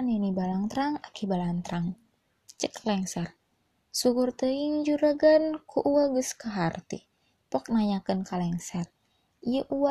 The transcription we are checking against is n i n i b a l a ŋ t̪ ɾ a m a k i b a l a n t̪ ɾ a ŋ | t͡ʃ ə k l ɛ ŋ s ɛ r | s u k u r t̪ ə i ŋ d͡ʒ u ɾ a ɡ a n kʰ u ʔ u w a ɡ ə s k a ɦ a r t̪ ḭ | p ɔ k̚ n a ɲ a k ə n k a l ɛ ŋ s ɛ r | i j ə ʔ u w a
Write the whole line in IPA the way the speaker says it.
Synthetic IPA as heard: n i n i b a l a ŋ t̪ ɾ a ŋ a k i b a l a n t̪ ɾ a ŋ | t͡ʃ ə k l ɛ ŋ s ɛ r | s u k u r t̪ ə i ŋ d͡ʒ u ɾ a ɡ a n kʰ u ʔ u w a ɡ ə s k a ɦ a r t̪ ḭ | p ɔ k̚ n a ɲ a k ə n k a l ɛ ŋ s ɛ r | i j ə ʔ u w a